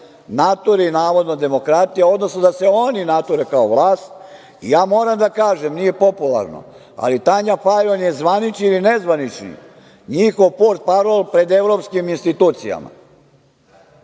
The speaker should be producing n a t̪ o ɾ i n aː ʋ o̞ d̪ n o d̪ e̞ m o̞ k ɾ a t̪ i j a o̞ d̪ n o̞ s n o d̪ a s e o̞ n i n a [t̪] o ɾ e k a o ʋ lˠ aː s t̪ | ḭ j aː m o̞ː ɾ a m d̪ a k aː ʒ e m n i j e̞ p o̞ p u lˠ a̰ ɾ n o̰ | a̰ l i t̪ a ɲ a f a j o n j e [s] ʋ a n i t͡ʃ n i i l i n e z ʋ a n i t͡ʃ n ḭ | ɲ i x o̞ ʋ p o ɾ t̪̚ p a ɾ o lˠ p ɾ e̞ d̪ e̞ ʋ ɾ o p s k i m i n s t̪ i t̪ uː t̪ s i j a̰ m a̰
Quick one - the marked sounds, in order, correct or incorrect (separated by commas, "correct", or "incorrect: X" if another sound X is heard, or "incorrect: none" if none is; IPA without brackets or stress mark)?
correct, incorrect: z